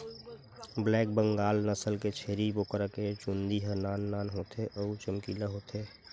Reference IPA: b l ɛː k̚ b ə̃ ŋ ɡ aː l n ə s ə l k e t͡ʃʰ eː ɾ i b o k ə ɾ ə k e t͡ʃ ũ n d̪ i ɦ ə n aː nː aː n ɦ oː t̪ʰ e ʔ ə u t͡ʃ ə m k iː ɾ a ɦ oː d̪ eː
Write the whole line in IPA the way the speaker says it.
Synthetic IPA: b l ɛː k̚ b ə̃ ŋ ɡ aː l n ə s ə l k e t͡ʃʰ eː ɾ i b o k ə ɾ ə k e t͡ʃ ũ n d̪ i ɦ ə n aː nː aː n ɦ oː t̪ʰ e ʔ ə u t͡ʃ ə m k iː l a ɦ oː t̪ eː

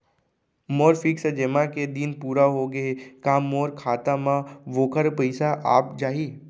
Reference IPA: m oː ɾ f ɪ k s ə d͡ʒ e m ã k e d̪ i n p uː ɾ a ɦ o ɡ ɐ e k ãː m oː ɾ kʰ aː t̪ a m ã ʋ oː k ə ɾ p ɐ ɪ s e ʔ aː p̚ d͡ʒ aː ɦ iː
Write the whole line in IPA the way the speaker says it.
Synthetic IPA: m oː ɾ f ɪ k s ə d͡ʒ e m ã k e d̪ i n p uː ɾ a ɦ o ɡ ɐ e k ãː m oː ɾ kʰ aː t̪ a m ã ʋ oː k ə ɾ p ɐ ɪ s a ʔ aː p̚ d͡ʒ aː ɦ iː

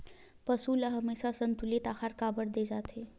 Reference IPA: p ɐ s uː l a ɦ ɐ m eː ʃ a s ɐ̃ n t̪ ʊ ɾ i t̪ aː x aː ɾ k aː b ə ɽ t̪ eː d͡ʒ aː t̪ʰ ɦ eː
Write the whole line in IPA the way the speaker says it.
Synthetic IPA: p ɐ s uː l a ɦ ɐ m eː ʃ a s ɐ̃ n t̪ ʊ l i t̪ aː x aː ɾ k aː b ə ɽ d̪ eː d͡ʒ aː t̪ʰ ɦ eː

